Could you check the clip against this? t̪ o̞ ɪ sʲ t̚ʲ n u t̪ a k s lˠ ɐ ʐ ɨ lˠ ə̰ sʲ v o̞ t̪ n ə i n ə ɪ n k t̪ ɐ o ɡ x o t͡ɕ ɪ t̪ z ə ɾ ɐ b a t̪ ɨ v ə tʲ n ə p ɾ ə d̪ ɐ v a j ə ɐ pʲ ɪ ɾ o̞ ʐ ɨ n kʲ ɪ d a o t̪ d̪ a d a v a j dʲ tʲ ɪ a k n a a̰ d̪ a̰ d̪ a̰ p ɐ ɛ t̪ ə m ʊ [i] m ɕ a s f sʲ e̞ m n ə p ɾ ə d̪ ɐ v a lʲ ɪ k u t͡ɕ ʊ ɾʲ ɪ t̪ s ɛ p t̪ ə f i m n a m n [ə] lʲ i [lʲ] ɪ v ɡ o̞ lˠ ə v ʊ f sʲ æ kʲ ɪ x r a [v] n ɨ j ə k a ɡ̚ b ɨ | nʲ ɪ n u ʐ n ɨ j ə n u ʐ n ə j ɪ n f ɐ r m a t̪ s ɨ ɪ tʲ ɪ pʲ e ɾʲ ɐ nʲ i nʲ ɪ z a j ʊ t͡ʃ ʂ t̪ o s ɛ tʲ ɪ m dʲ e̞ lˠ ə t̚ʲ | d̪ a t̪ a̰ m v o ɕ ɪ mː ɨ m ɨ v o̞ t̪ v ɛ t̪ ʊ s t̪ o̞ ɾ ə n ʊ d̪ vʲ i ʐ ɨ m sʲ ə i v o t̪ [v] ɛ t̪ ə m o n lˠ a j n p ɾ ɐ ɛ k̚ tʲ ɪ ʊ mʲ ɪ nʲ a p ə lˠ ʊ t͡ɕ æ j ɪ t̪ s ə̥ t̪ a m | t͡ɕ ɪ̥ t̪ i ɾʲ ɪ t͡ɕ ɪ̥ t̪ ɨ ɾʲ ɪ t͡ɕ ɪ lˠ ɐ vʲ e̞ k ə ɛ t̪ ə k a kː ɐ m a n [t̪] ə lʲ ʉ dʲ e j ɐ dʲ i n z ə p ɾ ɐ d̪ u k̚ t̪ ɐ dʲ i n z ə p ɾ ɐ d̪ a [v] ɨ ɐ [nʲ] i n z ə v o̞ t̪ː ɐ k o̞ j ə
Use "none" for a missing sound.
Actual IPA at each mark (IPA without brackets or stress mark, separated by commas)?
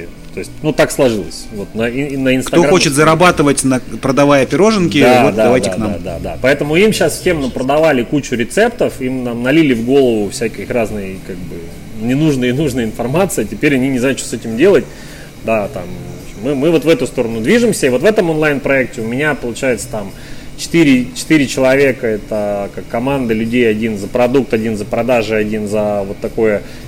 i, ɐ, lʲ, z, v, d̪, ʐ, dʲ